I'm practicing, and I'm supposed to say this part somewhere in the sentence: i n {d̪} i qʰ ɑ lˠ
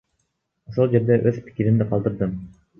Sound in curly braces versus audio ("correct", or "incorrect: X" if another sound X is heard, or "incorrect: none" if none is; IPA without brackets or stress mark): correct